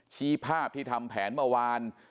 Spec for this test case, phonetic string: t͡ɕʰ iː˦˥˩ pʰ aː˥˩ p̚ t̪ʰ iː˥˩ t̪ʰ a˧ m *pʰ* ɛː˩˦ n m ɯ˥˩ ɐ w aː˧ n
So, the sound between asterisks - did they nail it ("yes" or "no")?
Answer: yes